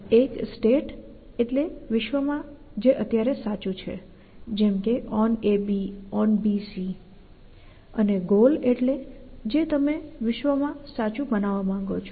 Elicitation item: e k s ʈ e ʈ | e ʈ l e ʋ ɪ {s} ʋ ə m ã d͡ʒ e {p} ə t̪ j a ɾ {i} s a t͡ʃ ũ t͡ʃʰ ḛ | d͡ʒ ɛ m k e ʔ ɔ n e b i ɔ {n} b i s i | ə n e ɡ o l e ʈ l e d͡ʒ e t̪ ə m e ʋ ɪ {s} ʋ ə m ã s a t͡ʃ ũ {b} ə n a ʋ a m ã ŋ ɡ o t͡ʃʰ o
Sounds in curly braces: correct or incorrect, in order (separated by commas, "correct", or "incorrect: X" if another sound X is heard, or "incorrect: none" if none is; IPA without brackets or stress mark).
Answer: incorrect: ʃ, incorrect: ʔ, incorrect: e, correct, incorrect: ʃ, correct